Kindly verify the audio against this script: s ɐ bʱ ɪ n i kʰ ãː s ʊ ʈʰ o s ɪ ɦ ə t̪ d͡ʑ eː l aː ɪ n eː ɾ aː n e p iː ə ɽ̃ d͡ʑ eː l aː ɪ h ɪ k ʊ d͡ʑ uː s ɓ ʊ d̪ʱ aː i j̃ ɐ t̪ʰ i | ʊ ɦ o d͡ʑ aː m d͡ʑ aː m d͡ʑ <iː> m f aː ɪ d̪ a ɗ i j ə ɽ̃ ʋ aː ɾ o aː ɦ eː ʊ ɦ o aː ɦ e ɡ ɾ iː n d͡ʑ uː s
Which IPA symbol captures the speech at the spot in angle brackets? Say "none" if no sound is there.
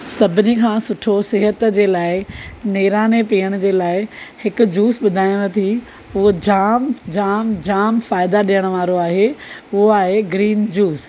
aː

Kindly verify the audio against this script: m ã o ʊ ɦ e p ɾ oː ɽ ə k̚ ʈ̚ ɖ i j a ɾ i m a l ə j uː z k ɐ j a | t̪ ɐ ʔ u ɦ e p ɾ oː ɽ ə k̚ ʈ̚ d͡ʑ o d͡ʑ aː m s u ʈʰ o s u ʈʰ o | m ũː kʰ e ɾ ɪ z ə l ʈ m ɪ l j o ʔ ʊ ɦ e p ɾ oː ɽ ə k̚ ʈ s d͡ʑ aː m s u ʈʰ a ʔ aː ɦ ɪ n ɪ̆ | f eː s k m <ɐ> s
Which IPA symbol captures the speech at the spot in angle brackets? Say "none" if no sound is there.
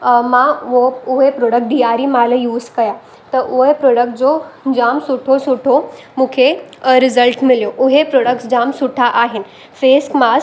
a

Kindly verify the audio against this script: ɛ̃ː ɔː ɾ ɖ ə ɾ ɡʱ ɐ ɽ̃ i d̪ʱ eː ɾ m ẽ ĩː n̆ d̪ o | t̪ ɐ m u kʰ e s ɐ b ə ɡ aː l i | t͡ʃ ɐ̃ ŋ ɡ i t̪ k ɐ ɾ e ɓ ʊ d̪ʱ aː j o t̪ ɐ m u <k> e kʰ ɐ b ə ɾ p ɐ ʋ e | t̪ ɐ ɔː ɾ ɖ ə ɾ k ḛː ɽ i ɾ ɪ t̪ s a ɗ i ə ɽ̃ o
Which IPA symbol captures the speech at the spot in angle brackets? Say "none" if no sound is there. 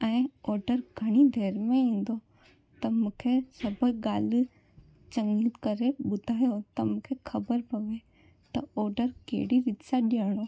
kʰ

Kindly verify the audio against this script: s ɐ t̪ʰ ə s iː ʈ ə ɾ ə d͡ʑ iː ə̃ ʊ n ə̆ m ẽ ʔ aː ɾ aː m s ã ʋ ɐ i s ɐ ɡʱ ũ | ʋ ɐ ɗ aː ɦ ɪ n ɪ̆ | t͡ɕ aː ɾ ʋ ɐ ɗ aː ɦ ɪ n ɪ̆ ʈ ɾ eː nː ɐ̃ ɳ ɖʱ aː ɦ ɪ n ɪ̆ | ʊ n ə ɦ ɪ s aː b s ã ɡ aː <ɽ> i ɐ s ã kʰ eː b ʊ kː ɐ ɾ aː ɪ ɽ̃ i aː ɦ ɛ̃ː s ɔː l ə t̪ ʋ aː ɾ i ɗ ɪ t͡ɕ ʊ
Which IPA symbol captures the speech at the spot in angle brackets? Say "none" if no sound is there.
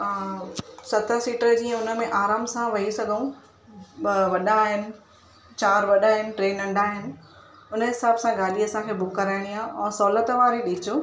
l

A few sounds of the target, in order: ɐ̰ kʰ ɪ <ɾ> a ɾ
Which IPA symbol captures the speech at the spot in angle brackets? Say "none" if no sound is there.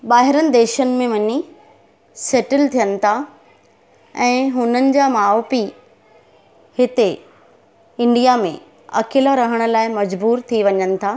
l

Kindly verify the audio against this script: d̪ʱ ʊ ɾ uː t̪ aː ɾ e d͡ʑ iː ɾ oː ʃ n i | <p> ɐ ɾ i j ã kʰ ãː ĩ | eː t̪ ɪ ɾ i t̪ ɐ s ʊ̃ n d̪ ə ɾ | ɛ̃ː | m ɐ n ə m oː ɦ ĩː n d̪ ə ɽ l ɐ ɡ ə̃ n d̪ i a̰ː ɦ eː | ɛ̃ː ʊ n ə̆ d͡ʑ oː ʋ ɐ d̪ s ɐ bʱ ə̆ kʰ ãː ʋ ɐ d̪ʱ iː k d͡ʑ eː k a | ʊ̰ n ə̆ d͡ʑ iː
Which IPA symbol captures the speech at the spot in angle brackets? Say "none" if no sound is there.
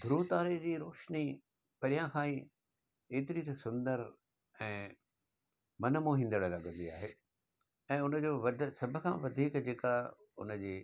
p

